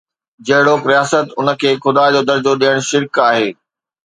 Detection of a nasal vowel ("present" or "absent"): absent